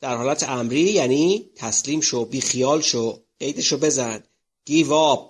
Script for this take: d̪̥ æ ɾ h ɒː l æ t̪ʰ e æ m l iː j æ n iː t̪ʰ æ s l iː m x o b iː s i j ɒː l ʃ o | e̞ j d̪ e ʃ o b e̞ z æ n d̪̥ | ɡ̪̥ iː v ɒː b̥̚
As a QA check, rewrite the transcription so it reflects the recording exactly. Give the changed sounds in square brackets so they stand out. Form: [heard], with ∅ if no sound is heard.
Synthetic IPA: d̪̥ æ ɾ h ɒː l æ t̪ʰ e æ m [ɾ] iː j æ n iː t̪ʰ æ s l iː m [ʃ] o b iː [x] i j ɒː l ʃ o | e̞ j d̪ e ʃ o b e̞ z æ n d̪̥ | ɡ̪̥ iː v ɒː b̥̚

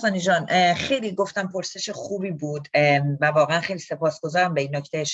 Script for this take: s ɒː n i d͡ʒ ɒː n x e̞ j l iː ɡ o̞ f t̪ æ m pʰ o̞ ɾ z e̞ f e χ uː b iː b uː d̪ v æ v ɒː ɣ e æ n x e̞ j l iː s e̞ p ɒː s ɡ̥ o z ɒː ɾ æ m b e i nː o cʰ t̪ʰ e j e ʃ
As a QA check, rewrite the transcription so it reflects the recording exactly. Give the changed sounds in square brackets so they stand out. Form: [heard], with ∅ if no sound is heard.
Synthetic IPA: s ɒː n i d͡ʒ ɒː n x e̞ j l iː ɡ o̞ f t̪ æ m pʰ o̞ ɾ [s] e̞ [ʃ] e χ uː b iː b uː d̪ v æ v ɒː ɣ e æ n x e̞ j l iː s e̞ p ɒː s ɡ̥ o z ɒː ɾ æ m b e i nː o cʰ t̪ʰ e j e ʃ

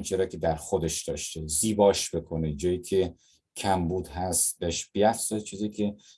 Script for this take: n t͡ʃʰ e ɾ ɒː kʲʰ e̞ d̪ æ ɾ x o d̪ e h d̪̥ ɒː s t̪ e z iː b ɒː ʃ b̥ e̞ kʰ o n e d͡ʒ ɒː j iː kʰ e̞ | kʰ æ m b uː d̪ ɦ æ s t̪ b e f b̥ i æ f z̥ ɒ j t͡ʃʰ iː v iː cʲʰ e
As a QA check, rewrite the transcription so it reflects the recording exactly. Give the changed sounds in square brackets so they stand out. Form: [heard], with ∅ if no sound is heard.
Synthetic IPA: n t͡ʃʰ e ɾ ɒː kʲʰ e̞ d̪ æ ɾ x o d̪ e [ʃ] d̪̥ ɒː [ʃ] t̪ e z iː b ɒː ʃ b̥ e̞ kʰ o n e d͡ʒ ɒː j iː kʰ e̞ | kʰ æ m b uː d̪ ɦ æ s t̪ b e [ʃ] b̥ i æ f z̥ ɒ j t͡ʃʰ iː [z] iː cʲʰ e

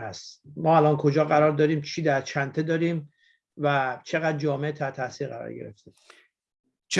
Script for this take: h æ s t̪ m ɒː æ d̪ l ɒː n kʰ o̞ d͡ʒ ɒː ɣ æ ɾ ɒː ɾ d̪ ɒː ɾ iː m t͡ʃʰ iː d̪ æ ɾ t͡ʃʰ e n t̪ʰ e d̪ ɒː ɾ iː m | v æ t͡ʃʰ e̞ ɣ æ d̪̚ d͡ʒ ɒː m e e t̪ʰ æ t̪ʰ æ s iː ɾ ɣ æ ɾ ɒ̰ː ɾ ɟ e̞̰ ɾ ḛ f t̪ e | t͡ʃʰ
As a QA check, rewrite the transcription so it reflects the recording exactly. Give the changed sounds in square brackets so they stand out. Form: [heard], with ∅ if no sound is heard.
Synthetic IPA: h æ s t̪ m ɒː æ [∅] l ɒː n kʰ o̞ d͡ʒ ɒː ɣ æ ɾ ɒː ɾ d̪ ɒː ɾ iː m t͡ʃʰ iː d̪ æ ɾ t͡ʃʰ [æ] n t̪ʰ e d̪ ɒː ɾ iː m | v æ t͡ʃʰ e̞ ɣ æ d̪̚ d͡ʒ ɒː m e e t̪ʰ æ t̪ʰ æ s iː ɾ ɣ æ ɾ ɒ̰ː ɾ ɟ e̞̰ ɾ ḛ f t̪ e | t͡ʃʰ

